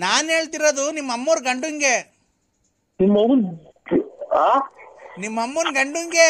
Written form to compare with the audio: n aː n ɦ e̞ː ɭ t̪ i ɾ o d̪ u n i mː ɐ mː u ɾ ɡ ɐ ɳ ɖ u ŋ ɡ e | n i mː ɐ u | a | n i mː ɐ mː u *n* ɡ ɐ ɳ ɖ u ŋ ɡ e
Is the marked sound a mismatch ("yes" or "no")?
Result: no